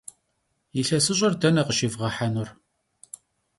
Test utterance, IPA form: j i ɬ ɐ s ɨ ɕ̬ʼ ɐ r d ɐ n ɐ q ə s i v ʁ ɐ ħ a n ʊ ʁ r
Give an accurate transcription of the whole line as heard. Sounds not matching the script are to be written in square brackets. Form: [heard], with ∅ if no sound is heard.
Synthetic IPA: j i ɬ ɐ s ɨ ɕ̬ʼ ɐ r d ɐ n ɐ q ə [ʃ] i v ʁ ɐ ħ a n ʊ [∅] r